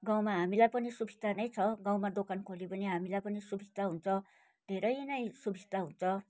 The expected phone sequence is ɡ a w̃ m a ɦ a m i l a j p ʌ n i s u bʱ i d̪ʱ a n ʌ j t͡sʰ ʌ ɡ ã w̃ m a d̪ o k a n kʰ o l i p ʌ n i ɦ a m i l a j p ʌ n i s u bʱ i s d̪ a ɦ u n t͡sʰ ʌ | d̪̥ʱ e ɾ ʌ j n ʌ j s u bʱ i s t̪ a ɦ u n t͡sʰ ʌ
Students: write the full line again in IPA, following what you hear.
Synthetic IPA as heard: ɡ a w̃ m a ɦ a m i l a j p ʌ n i s u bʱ i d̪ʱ a n ʌ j t͡sʰ ʌ ɡ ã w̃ m a d̪ o k a n kʰ o l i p ʌ n i ɦ a m i l a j p ʌ n i s u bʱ i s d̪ a ɦ u n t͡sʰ ʌ | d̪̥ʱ e ɾ ʌ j n ʌ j s u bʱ i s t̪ a ɦ u n t͡sʰ ʌ